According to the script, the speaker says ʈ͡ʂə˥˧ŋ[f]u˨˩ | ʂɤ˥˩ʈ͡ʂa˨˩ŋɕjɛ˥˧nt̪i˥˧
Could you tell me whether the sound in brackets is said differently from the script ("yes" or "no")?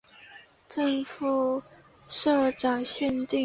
no